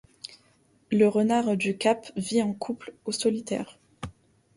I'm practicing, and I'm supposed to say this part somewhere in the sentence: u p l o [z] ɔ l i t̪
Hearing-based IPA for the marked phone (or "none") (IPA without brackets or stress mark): s